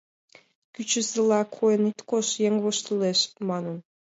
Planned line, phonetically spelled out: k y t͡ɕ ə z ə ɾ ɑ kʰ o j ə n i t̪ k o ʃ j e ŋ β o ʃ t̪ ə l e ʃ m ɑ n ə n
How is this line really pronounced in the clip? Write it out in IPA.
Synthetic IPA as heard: k y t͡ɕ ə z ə l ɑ kʰ o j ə n i t̪ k o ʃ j e ŋ β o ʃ t̪ ə l e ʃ m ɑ n ə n